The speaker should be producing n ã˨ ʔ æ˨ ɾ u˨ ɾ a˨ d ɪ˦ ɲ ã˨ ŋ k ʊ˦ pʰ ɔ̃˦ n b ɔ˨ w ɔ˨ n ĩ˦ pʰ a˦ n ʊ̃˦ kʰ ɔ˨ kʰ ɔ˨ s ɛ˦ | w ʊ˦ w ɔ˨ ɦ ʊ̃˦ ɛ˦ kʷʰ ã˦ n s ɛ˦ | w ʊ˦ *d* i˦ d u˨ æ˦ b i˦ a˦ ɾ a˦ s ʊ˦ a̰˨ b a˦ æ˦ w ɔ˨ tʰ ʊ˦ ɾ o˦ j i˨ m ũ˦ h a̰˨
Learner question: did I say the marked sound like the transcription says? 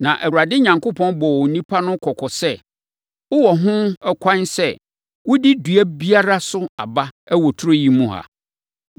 yes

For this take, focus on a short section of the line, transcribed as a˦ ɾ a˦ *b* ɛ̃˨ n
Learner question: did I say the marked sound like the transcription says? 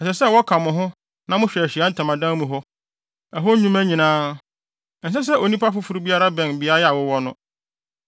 yes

